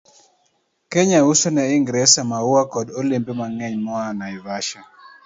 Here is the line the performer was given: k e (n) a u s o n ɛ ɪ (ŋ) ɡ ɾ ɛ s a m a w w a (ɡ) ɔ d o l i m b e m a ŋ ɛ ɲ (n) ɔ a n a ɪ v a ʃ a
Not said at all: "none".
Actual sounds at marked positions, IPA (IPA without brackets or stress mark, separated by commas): ɲ, ŋ, k, m